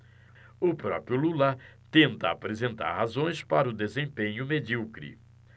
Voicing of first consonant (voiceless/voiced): voiceless